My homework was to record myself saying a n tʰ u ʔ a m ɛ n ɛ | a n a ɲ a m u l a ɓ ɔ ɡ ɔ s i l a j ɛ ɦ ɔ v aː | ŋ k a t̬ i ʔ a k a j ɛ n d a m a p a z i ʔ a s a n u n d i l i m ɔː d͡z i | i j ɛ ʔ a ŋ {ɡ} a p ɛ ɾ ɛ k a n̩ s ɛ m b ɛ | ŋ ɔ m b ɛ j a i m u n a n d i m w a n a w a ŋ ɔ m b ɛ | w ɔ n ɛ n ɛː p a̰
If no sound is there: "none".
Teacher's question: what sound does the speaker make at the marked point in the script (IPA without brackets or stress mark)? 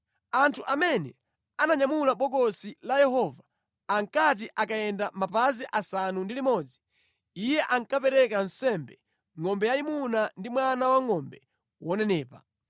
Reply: k